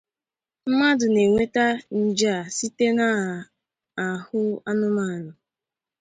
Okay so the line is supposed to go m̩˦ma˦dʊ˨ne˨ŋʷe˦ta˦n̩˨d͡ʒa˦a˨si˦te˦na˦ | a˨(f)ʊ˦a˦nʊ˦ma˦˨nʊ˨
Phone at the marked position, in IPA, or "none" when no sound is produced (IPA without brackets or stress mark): h